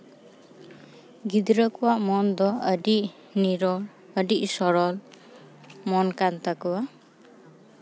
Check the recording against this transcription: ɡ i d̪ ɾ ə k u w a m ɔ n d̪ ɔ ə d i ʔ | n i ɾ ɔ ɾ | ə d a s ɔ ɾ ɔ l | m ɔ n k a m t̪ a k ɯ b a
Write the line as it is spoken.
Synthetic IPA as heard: ɡ i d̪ ɾ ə k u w a m ɔ n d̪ ɔ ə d i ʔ | n i ɾ ɔ l | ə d i s ɔ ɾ ɔ l | m ɔ n k a n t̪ a k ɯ w a